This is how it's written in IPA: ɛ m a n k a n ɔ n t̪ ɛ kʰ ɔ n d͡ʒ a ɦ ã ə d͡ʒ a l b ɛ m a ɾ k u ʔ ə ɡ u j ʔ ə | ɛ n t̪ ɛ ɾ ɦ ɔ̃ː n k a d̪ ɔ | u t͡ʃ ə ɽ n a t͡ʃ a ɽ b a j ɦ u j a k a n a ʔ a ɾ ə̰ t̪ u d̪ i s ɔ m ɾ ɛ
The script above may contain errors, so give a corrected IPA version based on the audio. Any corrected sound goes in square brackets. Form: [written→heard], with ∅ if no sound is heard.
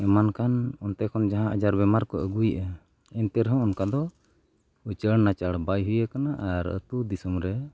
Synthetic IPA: ɛ m a n k a n ɔ n t̪ ɛ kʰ ɔ n d͡ʒ a ɦ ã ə d͡ʒ a [l→ɾ] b ɛ m a ɾ k [u→ɔ] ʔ ə ɡ u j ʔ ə | ɛ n t̪ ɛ ɾ ɦ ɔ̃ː n k a d̪ ɔ | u t͡ʃ ə ɽ n a t͡ʃ a ɽ b a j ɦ u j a k a n a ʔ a ɾ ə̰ t̪ u d̪ i s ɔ m ɾ ɛ